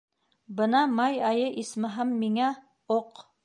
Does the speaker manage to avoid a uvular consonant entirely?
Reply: no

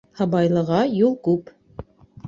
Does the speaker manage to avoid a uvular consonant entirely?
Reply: no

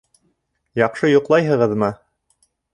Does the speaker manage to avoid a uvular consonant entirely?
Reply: no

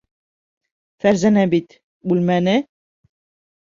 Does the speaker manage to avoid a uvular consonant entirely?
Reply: yes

